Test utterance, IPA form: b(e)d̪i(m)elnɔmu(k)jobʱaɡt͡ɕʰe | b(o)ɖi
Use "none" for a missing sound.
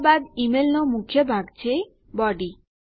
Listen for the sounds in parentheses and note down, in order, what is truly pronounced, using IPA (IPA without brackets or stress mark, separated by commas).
a, m, kʰ, ɔ